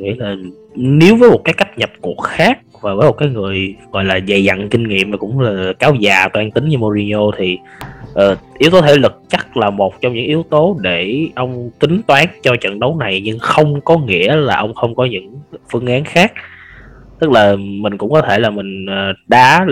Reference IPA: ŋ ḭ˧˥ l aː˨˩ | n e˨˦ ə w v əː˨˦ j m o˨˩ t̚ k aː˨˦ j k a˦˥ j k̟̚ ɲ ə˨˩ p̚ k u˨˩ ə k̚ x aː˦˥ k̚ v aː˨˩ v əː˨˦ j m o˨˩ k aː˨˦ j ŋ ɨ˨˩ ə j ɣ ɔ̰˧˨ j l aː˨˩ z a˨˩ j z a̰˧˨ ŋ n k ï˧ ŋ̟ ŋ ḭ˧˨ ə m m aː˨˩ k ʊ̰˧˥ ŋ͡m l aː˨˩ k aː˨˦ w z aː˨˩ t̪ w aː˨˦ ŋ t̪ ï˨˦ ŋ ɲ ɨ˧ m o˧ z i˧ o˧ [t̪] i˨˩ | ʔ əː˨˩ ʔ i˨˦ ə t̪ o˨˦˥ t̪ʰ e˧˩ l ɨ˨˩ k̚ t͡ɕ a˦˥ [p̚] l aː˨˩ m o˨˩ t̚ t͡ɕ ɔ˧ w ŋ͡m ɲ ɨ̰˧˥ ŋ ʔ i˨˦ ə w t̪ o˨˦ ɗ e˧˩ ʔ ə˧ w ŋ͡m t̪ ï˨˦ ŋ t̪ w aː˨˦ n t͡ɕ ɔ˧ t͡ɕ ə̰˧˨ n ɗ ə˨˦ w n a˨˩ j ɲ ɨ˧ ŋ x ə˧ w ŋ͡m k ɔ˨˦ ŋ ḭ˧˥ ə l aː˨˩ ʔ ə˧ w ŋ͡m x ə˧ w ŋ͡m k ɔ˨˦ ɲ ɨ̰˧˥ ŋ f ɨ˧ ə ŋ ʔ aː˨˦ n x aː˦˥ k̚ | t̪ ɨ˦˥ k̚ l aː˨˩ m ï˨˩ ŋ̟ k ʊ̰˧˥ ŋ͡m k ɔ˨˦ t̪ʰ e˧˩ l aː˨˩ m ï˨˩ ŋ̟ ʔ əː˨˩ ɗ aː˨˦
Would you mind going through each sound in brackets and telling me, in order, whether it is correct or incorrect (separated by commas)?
incorrect, incorrect